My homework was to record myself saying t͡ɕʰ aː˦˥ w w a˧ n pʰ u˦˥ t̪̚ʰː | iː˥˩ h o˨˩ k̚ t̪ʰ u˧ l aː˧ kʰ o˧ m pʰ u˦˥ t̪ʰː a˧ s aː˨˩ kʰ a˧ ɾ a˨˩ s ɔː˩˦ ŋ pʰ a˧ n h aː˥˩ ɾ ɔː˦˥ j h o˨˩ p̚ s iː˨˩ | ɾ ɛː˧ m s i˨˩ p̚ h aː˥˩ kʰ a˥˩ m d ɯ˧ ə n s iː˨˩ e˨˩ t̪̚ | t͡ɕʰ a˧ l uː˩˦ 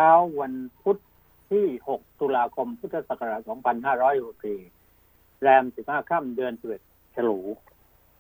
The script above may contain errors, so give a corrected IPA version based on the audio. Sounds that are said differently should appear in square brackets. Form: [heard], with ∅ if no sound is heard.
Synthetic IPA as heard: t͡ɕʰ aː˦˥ w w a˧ n pʰ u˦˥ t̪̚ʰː | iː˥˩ h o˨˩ k̚ [t̪] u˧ l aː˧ kʰ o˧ m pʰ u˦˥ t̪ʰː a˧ s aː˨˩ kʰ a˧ ɾ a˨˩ s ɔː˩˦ ŋ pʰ a˧ n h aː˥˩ ɾ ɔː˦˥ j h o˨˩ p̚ s iː˨˩ | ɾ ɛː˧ m s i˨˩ p̚ h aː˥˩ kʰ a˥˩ m d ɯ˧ ə n s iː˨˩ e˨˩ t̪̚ | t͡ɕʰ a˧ l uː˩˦